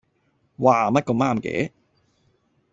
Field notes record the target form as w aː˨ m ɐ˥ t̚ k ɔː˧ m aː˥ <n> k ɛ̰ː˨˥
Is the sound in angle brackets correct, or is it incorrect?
incorrect